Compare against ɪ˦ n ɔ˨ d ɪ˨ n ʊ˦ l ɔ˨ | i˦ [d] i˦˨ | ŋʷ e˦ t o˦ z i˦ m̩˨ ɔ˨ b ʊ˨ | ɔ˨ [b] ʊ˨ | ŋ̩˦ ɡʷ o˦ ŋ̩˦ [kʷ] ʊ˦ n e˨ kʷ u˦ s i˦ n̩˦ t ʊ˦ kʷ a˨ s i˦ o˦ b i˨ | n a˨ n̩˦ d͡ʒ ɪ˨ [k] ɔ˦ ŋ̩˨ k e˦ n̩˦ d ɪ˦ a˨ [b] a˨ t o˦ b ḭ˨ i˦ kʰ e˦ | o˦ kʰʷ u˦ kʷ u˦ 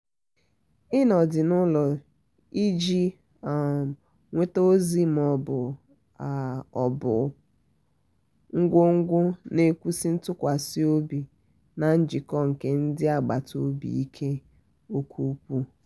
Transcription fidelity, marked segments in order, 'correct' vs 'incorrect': incorrect, correct, incorrect, correct, incorrect

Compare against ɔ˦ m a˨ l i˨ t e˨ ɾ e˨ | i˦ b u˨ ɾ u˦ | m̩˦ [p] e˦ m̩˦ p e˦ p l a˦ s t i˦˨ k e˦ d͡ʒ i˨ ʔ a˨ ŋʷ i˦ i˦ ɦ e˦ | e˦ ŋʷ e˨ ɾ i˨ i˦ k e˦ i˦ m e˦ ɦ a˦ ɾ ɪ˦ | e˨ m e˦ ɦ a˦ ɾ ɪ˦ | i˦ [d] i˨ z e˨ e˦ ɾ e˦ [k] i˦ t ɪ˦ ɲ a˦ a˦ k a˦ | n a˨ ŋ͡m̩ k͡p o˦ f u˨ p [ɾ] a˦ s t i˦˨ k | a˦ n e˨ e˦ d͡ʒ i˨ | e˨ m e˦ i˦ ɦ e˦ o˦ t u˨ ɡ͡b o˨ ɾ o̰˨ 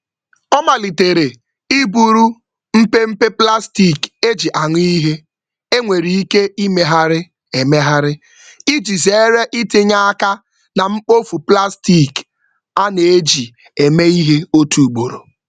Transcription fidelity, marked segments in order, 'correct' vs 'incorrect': correct, incorrect, incorrect, incorrect

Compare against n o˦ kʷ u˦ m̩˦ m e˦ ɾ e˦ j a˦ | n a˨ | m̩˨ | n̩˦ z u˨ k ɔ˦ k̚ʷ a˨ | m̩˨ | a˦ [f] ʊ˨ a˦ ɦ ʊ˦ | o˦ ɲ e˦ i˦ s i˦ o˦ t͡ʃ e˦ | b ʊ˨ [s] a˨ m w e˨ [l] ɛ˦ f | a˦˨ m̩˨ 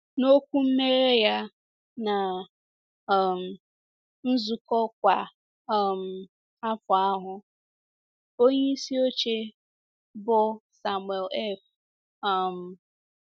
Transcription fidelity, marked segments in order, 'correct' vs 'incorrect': correct, correct, correct

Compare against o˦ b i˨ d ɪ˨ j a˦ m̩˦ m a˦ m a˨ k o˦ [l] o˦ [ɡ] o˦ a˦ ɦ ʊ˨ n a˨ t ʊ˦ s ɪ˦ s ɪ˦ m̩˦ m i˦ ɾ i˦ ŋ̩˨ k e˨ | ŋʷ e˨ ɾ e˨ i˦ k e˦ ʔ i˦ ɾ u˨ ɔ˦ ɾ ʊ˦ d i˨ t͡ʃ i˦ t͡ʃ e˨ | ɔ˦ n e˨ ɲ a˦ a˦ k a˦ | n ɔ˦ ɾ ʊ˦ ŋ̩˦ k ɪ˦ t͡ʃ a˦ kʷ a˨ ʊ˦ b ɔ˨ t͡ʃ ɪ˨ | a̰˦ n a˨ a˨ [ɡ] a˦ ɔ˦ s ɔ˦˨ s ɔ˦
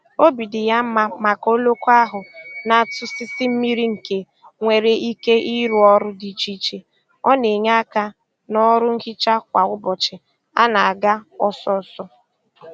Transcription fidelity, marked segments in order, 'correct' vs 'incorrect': correct, incorrect, correct

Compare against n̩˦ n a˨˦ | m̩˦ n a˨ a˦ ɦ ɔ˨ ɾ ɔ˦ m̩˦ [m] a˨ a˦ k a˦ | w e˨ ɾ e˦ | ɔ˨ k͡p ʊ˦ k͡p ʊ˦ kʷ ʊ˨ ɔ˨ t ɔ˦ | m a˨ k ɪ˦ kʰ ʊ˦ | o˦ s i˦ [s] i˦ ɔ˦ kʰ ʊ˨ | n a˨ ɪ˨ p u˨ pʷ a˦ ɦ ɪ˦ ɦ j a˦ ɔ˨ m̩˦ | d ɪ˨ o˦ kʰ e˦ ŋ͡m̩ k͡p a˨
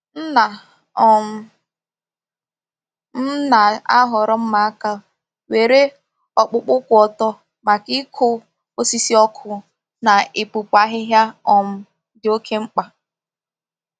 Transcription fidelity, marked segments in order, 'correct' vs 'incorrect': correct, correct

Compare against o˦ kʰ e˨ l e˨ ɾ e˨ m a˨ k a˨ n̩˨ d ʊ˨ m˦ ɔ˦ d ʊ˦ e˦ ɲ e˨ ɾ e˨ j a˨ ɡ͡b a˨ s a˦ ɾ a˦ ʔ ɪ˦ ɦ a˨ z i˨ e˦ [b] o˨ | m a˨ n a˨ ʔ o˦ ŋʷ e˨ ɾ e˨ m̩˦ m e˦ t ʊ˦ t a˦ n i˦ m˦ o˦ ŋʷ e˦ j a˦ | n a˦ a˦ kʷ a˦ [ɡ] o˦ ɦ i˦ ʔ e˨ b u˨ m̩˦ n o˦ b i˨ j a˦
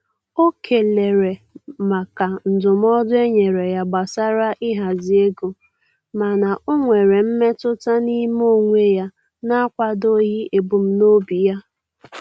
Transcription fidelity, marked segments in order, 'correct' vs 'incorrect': incorrect, incorrect

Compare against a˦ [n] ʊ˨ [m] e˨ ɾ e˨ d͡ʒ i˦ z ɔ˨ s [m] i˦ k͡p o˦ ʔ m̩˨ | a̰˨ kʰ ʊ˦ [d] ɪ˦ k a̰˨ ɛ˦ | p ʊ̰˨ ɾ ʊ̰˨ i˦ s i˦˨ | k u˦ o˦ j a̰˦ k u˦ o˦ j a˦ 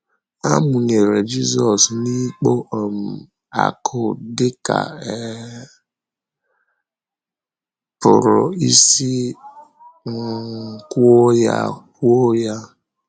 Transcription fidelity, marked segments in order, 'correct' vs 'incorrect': incorrect, incorrect, incorrect, correct

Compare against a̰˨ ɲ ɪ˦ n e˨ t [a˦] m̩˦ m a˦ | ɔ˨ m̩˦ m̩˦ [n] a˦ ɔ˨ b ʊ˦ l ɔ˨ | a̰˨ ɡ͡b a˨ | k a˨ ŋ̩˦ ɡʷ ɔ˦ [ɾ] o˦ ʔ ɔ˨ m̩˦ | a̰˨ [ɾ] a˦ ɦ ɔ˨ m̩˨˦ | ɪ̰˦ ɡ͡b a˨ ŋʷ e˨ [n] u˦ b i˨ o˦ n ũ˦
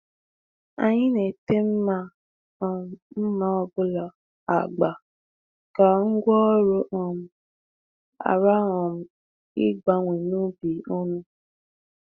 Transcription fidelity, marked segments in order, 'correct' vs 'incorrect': incorrect, incorrect, correct, correct, correct

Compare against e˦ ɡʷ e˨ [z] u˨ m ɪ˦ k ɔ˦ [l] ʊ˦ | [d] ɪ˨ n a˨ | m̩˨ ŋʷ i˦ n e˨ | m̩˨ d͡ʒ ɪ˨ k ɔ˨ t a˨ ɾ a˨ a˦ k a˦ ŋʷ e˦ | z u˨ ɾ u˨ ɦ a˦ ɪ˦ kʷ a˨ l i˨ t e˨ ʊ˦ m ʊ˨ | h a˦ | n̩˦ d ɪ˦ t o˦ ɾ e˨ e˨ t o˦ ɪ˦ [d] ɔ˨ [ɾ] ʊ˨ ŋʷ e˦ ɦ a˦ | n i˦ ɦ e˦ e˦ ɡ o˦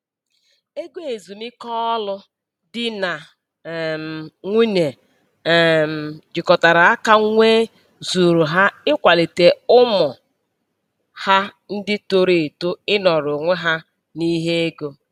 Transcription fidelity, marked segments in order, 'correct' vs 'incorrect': correct, correct, correct, incorrect, correct

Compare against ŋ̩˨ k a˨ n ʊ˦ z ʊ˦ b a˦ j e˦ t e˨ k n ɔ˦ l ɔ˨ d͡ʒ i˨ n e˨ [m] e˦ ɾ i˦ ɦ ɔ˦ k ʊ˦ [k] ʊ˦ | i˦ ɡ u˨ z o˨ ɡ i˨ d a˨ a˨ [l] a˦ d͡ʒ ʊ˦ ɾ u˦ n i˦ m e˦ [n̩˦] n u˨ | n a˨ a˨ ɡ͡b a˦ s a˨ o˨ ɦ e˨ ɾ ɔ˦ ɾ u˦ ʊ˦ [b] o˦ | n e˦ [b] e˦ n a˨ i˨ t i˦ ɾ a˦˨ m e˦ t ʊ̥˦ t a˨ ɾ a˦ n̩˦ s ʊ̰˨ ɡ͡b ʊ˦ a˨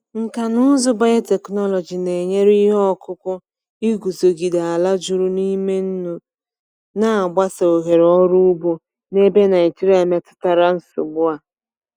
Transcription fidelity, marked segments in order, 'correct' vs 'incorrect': incorrect, correct, correct, correct, correct, correct

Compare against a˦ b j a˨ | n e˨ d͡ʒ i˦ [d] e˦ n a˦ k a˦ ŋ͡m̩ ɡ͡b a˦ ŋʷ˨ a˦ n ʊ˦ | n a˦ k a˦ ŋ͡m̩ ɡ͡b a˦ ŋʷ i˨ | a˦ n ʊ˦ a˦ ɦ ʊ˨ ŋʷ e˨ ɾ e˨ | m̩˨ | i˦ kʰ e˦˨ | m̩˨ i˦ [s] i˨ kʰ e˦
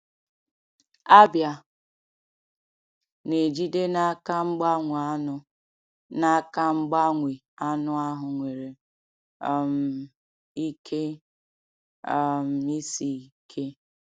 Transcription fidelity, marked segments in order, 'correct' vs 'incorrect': correct, correct

